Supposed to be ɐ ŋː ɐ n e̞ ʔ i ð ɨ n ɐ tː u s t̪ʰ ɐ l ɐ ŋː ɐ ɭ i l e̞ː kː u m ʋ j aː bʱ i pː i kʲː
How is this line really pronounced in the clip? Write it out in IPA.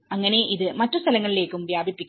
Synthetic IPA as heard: ɐ ŋː ɐ n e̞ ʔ i ð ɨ m ɐ tː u s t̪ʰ ɐ l ɐ ŋː ɐ ɭ i l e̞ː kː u m ʋ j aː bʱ i pː i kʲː

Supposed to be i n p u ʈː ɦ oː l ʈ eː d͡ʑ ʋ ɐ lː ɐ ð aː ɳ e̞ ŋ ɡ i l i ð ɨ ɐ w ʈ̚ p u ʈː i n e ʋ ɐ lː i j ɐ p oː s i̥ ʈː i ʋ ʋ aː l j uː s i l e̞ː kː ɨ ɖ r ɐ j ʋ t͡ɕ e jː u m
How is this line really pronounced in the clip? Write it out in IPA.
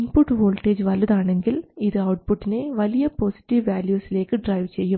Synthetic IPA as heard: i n p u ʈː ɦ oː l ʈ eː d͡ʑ ʋ ɐ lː ɐ ð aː ɳ e̞ ŋ ɡ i l i ð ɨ ɐ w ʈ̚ p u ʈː i n e ʋ ɐ l i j ɐ p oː s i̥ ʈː i ʋ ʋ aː l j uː s i l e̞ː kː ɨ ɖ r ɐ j ʋ t͡ɕ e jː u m

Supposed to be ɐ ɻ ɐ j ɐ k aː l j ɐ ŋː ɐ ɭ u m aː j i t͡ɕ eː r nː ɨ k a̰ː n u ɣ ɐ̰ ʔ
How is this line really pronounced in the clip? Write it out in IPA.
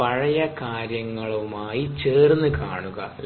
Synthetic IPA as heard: ɐ ɻ ɐ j ɐ k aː ɾ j ɐ ŋː ɐ ɭ u m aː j i t͡ɕ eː r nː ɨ k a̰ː ɳ u ɣ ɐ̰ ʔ

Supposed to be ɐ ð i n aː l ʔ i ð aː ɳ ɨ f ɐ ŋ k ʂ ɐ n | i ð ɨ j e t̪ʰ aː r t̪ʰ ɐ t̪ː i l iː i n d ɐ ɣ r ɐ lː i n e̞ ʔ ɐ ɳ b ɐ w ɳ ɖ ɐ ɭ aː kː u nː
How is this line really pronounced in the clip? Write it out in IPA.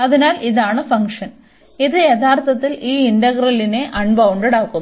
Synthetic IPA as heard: ɐ ð i n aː l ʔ i ð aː ɳ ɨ f ɐ ŋ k ʂ ɐ n | i ð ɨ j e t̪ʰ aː r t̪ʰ ɐ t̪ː i l iː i n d ɐ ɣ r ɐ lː i n e̞ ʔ ɐ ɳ b ɐ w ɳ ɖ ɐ ɽ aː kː u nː

